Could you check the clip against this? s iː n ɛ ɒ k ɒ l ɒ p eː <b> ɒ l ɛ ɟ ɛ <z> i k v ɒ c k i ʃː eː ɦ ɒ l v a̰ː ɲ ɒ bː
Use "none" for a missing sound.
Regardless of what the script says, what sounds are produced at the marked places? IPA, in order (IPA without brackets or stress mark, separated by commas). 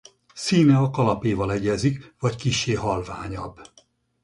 v, z